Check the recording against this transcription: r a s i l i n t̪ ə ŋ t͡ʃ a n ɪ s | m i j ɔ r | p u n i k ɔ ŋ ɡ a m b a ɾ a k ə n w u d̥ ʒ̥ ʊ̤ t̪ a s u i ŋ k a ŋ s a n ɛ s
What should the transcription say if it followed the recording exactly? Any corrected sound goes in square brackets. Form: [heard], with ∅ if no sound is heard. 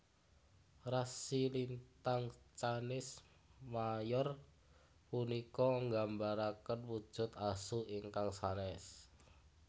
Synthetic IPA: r a s i l i n t̪ [a] ŋ t͡ʃ a n ɪ s | m [a] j ɔ r | p u n i k ɔ ŋ ɡ a m b a ɾ a k ə n w u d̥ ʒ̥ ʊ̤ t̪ a s u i ŋ k a ŋ s a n ɛ s